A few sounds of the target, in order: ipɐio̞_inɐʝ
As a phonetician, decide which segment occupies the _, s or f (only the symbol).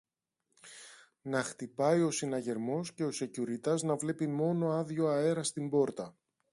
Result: s